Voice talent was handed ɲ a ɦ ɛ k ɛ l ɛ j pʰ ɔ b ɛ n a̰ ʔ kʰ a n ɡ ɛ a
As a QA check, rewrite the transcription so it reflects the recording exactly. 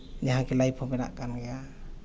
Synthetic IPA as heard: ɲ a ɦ a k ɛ l a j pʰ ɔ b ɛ n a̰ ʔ k a n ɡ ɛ a